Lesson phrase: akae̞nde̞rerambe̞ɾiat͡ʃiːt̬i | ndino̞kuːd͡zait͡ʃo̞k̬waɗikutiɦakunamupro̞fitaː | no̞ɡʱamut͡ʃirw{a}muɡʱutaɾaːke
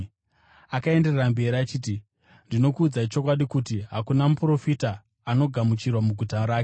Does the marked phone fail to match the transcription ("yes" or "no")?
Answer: no